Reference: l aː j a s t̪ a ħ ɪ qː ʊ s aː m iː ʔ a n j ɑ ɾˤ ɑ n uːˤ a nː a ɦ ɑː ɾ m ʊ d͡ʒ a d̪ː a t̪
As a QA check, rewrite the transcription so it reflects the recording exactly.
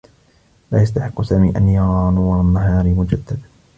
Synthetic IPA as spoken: l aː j a s t̪ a ħ ɪ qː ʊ s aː m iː ʔ a n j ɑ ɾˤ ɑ n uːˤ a nː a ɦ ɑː ɾ m ʊ d͡ʒ a d̪ː a d̪